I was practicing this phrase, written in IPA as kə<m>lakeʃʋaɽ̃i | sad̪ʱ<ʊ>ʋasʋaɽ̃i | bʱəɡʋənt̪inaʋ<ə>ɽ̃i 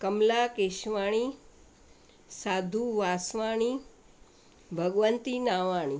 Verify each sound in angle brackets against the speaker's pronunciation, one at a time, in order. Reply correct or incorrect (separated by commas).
correct, incorrect, incorrect